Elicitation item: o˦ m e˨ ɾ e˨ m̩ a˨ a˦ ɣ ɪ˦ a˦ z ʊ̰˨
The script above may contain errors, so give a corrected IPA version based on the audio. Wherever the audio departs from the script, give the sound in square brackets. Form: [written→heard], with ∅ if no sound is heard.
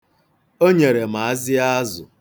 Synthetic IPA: o˦ [m→ɲ] e˨ ɾ e˨ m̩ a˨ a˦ [ɣ→z] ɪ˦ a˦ z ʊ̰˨